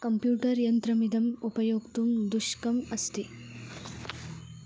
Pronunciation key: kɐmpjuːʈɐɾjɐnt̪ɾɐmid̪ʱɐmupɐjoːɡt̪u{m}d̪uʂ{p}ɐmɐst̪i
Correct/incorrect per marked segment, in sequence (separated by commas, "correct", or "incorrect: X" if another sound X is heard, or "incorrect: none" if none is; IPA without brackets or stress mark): correct, incorrect: k